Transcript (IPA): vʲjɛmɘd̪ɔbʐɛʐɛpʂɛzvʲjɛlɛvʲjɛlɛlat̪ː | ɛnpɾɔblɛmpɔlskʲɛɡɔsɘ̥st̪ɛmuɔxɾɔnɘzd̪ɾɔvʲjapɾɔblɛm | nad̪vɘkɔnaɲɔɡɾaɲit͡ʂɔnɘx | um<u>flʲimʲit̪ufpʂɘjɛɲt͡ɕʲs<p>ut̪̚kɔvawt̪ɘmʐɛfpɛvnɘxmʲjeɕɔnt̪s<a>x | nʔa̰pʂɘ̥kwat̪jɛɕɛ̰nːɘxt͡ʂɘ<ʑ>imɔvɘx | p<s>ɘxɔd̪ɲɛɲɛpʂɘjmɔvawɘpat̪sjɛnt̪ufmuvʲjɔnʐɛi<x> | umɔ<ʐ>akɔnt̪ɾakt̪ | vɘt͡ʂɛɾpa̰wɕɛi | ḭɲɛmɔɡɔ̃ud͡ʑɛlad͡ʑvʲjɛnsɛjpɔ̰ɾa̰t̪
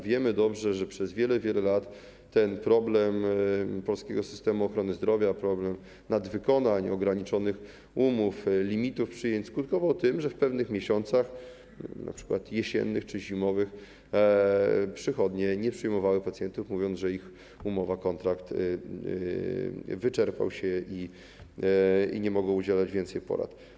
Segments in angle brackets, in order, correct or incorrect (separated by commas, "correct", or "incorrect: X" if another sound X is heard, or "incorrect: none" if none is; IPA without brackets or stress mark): correct, incorrect: k, correct, correct, incorrect: ʂ, correct, incorrect: v